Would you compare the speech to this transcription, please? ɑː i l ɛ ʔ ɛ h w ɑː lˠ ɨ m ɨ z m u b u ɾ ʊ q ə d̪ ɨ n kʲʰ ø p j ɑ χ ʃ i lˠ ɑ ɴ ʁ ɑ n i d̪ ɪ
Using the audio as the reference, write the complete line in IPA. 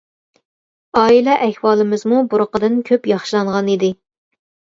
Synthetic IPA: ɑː i l ɛ ʔ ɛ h w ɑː lˠ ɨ m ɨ z m u b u ɾ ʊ q ə d̪ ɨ n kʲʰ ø p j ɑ χ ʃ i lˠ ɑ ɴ ʁ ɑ n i d̪ ɪ

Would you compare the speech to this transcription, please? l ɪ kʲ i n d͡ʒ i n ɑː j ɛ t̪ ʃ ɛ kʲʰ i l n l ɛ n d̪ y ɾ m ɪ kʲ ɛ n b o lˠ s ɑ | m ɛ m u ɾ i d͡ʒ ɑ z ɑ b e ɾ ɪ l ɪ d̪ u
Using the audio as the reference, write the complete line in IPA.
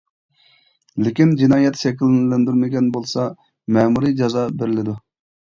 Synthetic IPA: l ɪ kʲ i n d͡ʒ i n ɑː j ɛ t̪ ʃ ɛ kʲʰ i l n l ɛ n d̪ y ɾ m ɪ ɡʲ ɛ n b o lˠ s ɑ | m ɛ m u ɾ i d͡ʒ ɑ z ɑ b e ɾ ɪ l ɪ d̪ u

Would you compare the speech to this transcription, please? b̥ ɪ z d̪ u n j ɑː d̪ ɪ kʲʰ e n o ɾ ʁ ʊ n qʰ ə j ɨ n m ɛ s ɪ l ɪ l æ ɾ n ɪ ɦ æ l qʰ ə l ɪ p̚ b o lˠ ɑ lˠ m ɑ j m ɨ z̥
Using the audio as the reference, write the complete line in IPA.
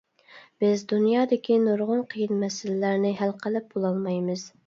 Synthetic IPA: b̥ ɪ z d̪ u n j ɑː d̪ ɪ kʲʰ i n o ɾ ʁ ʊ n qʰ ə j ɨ n m ɛ s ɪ l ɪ l æ ɾ n ɪ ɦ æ l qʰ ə l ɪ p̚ b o lˠ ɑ lˠ m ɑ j m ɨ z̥

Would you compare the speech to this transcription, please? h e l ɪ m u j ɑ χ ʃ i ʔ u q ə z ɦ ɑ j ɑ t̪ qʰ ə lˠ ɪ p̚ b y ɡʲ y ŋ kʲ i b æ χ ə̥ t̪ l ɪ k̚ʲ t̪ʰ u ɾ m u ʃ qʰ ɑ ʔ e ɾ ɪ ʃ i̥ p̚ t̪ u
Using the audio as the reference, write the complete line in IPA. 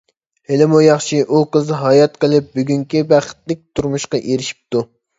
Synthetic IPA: h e l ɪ m u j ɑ χ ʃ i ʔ u q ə z ɦ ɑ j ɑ t̪ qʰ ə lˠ ɪ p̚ b y ɡʲ y ŋ kʲ i b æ χ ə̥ t̪ l ɪ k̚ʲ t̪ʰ u ɾ m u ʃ q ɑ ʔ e ɾ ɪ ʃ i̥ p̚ t̪ u

